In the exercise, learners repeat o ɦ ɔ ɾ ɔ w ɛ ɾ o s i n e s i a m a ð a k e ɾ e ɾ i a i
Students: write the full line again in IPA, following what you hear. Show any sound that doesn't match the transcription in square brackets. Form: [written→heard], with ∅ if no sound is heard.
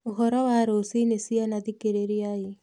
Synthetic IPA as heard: o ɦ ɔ ɾ ɔ w [ɛ→a] ɾ o s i n e s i a [m→n] a ð [a→i] k e ɾ e ɾ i a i